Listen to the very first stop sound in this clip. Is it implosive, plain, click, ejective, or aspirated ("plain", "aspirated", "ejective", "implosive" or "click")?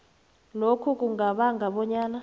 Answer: aspirated